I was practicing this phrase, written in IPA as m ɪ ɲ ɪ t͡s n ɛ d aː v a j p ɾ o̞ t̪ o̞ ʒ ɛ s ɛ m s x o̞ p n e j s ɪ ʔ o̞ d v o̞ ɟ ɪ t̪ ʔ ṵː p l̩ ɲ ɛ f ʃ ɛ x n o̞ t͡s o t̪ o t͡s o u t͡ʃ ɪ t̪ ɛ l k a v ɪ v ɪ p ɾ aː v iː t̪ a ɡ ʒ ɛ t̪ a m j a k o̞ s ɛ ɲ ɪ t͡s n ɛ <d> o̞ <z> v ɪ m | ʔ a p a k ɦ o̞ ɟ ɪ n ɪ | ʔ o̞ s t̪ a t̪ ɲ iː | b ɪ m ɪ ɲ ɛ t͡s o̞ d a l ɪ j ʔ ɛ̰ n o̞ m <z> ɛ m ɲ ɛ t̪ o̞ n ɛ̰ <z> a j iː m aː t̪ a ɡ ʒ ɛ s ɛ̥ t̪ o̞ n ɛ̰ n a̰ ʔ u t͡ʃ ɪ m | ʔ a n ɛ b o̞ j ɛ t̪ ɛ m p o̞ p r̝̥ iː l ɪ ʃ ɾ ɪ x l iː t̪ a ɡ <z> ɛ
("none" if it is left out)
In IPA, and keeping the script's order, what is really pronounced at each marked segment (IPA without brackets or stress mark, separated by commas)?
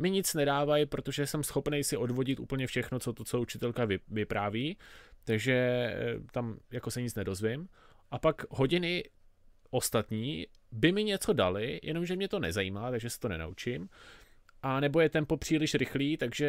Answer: d, z, ʒ, z, ʒ